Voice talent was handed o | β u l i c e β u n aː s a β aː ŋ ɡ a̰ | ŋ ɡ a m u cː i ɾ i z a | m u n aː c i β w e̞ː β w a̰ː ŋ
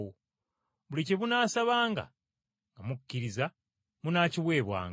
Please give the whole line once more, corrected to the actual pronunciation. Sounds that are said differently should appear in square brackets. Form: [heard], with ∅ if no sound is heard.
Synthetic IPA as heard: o | β u l i c e β u n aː s a β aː ŋ ɡ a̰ | ŋ ɡ a m u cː i ɾ i z a | m u n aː c i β w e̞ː β w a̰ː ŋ